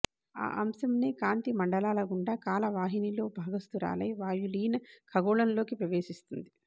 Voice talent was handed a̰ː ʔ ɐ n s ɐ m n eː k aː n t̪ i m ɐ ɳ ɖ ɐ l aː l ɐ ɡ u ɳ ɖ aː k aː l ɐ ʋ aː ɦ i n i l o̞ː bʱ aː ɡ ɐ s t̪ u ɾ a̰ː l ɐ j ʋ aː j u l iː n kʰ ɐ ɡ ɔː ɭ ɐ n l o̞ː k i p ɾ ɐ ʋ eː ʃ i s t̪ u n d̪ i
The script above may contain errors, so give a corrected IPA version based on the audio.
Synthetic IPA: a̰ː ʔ ɐ m s ɐ m n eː k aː n t̪ i m ɐ ɳ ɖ ɐ l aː l ɐ ɡ u ɳ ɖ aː k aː l ɐ ʋ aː ɦ i n i l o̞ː bʱ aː ɡ ɐ s t̪ u ɾ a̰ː l ɐ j ʋ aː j u l iː n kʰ ɐ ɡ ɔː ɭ ɐ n l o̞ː k i p ɾ ɐ ʋ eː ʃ i s t̪ u n d̪ i

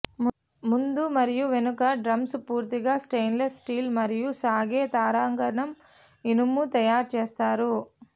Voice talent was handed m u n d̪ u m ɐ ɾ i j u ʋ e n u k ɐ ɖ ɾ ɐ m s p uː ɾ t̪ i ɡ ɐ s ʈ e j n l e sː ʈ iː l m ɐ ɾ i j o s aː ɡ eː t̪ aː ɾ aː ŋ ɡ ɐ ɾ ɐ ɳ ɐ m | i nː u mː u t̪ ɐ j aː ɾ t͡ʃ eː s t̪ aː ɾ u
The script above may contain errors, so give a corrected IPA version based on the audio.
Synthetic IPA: m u n d̪ u m ɐ ɾ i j u ʋ e n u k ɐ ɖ ɾ ɐ m s p uː ɾ t̪ i ɡ ɐ s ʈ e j n l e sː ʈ iː l m ɐ ɾ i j u s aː ɡ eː t̪ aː ɾ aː ŋ ɡ ɐ ɾ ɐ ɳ ɐ m | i n u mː u t̪ ɐ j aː ɾ t͡ʃ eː s t̪ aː ɾ u

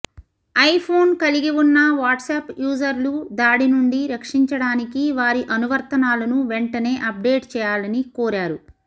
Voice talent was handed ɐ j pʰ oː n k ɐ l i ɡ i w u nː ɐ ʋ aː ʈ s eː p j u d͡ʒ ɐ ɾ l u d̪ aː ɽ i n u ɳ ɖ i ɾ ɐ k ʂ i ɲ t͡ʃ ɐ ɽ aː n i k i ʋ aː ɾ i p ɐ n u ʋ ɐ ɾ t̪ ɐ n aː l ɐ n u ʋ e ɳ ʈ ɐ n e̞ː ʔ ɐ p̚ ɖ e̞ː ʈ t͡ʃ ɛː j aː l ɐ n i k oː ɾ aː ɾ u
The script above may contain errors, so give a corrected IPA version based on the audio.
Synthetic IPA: ɐ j pʰ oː n k ɐ l i ɡ i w u nː ɐ ʋ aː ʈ s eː p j uː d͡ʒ ɐ ɾ l u d̪ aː ɽ i n u ɳ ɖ i ɾ ɐ k ʂ i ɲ t͡ʃ ɐ ɽ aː n i k i ʋ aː ɾ i ʔ ɐ n u ʋ ɐ ɾ t̪ ɐ n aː l ɐ n u ʋ e ɳ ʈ ɐ n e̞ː ʔ ɐ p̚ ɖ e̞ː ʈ t͡ʃ ɛː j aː l ɐ n i k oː ɾ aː ɾ u

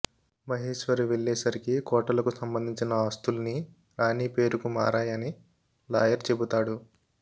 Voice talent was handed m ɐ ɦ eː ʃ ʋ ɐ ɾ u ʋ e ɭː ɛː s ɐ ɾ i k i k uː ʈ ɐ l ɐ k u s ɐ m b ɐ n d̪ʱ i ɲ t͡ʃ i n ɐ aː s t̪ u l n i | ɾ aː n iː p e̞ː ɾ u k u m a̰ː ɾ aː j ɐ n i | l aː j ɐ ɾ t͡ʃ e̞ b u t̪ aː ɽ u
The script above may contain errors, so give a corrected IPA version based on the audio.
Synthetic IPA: m ɐ ɦ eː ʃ ʋ ɐ ɾ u ʋ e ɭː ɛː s ɐ ɾ i k i k ɔː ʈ ɐ l ɐ k u s ɐ m b ɐ n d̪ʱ i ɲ t͡ʃ i n ɐ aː s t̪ u l n i | ɾ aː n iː p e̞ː ɾ u k u m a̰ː ɾ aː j ɐ n i | l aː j ɐ ɾ t͡ʃ e̞ b u t̪ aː ɽ u

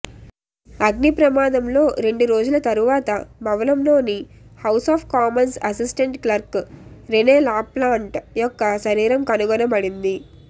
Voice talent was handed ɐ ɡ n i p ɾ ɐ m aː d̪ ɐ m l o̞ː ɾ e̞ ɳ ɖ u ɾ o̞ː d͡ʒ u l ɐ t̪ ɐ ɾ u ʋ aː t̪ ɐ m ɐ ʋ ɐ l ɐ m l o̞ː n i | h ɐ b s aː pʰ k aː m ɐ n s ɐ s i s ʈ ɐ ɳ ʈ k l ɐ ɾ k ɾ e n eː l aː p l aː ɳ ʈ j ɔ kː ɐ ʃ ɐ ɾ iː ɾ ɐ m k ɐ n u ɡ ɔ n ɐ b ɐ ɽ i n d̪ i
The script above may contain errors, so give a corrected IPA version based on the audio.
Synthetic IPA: ɐ ɡ n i p ɾ ɐ m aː d̪ ɐ m l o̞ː ɾ e̞ ɳ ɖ u ɾ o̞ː d͡ʒ u l ɐ t̪ ɐ ɾ u ʋ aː t̪ ɐ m ɐ ʋ ɐ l ɐ m l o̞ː n i | h ɐ w s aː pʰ k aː m ɐ n s ɐ s i s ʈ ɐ ɳ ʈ k l ɐ ɾ k ɾ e n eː l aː p l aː ɳ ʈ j ɔ kː ɐ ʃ ɐ ɾ iː ɾ ɐ m k ɐ n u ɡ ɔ n ɐ b ɐ ɽ i n d̪ i

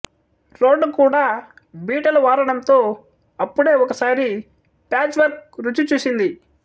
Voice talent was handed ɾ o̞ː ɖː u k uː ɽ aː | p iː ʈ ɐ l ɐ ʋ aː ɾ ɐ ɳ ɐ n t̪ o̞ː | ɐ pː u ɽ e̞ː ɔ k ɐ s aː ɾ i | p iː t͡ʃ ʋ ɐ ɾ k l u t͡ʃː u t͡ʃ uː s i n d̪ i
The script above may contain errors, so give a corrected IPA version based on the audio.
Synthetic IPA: ɾ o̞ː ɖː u k uː ɽ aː | b iː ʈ ɐ l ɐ ʋ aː ɾ ɐ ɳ ɐ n t̪ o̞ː | ɐ pː u ɽ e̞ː ɔ k ɐ s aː ɾ i | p aː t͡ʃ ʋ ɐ ɾ k ɾ u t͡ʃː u t͡ʃ uː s i n d̪ i

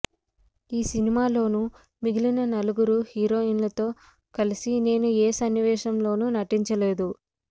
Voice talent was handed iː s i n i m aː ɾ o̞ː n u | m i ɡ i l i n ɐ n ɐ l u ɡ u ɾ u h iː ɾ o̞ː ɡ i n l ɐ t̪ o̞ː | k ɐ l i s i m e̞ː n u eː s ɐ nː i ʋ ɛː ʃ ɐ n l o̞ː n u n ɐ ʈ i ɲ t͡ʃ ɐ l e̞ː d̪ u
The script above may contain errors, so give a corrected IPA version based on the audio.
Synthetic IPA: iː s i n i m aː l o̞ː n u | m i ɡ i l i n ɐ n ɐ l u ɡ u ɾ u h iː ɾ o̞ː i n l ɐ t̪ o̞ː | k ɐ l i s i n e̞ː n u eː s ɐ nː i ʋ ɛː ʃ ɐ m l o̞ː n u n ɐ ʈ i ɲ t͡ʃ ɐ l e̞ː d̪ u

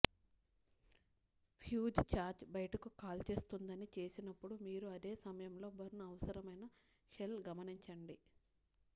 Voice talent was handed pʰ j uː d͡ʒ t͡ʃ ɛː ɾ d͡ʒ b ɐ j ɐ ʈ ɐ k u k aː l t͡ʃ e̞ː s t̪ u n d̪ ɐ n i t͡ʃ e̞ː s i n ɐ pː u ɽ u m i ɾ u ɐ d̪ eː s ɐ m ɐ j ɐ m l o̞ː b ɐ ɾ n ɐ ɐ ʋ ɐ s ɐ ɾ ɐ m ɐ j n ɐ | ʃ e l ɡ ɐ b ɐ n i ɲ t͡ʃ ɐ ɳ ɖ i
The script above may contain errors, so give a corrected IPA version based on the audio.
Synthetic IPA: pʰ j uː d͡ʒ t͡ʃ aː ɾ d͡ʒ b ɐ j ɐ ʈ ɐ k u k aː l t͡ʃ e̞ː s t̪ u n d̪ ɐ n i t͡ʃ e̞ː s i n ɐ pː u ɽ u m iː ɾ u ɐ d̪ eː s ɐ m ɐ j ɐ m l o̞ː b ɐ ɾ n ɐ ɐ ʋ ɐ s ɐ ɾ ɐ m ɐ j n ɐ | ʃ e l ɡ ɐ m ɐ n i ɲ t͡ʃ ɐ ɳ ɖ i

